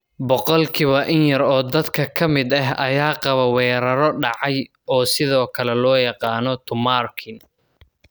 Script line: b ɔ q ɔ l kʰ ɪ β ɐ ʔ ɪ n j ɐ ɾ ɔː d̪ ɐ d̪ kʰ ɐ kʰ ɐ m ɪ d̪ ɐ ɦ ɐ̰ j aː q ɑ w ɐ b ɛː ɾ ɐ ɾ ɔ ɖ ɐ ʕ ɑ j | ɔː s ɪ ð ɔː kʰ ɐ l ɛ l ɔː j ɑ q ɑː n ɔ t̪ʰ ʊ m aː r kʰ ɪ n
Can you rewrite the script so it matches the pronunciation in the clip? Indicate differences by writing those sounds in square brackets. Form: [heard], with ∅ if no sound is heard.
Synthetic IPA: b ɔ q ɔ l kʰ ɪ β ɐ ʔ ɪ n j ɐ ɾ ɔː d̪ ɐ d̪ kʰ ɐ kʰ ɐ m ɪ d̪ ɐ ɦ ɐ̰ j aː q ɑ [β] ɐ [w] ɛː ɾ ɐ ɾ ɔ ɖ [ɑ] ʕ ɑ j | ɔː s ɪ ð ɔː kʰ ɐ l ɛ l ɔː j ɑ q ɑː n ɔ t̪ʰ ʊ m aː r kʰ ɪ n